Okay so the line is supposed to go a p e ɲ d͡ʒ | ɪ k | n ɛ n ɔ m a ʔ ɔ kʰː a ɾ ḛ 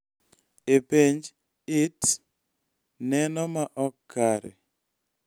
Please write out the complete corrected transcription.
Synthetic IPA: e p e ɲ d͡ʒ | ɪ t | n ɛ n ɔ m a ʔ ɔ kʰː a ɾ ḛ